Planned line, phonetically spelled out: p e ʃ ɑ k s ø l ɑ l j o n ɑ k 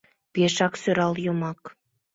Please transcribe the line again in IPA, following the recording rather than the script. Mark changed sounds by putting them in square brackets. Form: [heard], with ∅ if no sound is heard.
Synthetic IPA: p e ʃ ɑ k s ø [ɾ] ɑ l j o [m] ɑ k